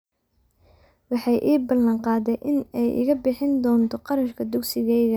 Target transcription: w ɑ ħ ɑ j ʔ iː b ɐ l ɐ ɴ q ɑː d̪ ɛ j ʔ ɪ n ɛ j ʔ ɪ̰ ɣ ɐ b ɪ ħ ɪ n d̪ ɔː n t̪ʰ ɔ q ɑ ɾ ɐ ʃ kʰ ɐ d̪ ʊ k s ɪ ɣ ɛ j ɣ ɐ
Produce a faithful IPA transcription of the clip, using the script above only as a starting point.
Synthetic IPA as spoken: w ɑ ħ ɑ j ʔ iː b ɐ l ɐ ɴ q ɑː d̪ ɛ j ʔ ɪ n ɛ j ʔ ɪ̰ ɣ ɐ b ɪ ħ ɪ n d̪ ɔː n t̪ʰ ɔ q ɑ ɾ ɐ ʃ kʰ ɐ d̪ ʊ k s ɪ ɣ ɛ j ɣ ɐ